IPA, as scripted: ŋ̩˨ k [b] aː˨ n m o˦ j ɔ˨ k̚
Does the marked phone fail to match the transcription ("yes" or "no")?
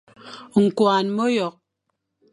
yes